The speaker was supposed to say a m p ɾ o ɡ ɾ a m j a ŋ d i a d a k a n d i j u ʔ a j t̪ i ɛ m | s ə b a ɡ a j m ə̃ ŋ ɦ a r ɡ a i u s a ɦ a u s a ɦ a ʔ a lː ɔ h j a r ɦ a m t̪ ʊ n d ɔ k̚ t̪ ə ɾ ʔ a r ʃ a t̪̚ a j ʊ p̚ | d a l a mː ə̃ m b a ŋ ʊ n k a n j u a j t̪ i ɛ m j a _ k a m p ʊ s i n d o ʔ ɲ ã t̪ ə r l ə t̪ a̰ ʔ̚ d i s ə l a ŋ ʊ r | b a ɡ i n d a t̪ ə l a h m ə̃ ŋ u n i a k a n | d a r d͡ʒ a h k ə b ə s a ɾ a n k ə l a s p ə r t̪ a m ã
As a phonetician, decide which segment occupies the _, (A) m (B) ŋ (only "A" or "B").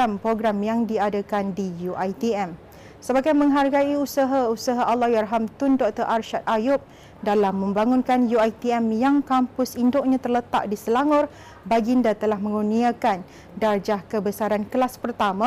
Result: B